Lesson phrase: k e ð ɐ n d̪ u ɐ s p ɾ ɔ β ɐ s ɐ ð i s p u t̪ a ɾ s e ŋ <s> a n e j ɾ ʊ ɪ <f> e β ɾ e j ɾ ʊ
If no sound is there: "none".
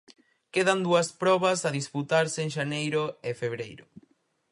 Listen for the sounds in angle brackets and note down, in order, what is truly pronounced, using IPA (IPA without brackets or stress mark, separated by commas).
ʃ, f